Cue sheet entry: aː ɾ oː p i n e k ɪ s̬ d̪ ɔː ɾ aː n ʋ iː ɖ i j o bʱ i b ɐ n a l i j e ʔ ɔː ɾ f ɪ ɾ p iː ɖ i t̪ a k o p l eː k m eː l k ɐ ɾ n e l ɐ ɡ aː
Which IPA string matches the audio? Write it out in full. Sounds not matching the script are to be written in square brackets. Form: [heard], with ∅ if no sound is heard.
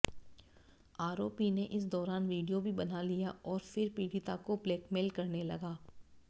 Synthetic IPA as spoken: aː ɾ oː p i n e [ʔ] ɪ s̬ d̪ ɔː ɾ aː n ʋ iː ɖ i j o bʱ i b ɐ n a l i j [a] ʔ ɔː ɾ f ɪ ɾ p iː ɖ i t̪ a k o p l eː k m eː l k ɐ ɾ n e l ɐ ɡ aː